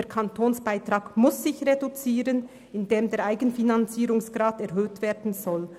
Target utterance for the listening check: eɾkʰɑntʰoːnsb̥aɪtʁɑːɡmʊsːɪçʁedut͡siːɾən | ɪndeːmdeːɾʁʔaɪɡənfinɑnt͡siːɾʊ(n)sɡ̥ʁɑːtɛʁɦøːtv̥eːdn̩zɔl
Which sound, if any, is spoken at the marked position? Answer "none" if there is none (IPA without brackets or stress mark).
ŋ